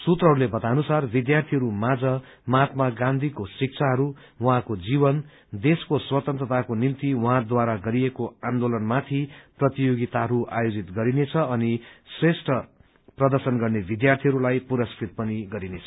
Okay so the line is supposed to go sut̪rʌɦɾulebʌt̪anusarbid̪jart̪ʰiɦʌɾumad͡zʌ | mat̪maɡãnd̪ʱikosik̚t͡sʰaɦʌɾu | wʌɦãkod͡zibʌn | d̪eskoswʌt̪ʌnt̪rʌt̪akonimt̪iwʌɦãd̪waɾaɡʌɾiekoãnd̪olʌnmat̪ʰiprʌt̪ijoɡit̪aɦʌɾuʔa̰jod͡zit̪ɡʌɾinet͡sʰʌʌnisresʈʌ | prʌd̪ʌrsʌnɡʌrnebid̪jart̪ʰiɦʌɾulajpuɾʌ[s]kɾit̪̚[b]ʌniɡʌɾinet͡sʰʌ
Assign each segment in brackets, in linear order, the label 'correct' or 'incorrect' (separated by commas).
correct, incorrect